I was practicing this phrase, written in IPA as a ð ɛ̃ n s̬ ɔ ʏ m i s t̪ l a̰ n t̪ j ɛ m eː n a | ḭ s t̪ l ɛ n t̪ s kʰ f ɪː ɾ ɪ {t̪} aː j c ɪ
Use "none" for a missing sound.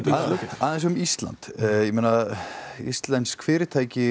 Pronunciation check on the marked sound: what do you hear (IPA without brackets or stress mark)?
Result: t̪ʰ